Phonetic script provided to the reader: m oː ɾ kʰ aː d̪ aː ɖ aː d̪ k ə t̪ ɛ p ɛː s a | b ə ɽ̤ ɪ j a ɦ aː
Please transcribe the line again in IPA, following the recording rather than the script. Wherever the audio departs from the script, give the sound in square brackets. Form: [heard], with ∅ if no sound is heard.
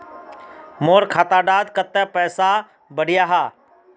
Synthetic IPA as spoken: m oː ɾ kʰ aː [t̪] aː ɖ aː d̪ k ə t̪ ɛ p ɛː s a | b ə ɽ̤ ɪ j a ɦ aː